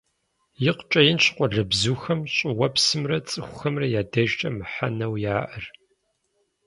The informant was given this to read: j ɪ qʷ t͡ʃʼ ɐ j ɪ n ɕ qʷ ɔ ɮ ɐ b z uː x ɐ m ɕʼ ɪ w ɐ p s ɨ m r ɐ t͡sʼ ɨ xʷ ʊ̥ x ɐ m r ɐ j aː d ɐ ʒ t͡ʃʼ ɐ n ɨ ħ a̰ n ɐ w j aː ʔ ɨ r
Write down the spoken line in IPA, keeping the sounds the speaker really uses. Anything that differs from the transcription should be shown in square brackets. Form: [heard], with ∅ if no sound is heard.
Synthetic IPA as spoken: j ɪ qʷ t͡ʃʼ ɐ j ɪ n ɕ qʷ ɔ ɮ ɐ b z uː x ɐ m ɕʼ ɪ w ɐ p s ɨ m r ɐ t͡sʼ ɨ xʷ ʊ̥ x ɐ m r ɐ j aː d ɐ ʒ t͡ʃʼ ɐ [m] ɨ ħ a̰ n ɐ w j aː ʔ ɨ r